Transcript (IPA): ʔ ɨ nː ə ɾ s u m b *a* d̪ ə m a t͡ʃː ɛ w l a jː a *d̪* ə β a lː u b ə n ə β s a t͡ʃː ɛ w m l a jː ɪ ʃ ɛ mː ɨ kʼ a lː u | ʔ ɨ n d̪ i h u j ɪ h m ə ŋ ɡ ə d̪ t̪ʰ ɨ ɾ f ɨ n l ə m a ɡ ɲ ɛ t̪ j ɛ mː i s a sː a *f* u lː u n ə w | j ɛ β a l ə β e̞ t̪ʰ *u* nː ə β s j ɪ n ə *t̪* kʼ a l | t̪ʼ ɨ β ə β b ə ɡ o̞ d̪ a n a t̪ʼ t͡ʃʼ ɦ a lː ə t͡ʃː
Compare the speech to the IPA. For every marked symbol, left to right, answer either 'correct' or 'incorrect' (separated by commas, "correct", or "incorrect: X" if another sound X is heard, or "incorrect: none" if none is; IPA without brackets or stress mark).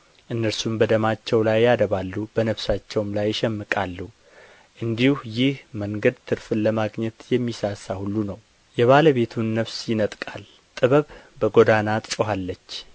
incorrect: ə, correct, incorrect: h, correct, incorrect: t̪ʼ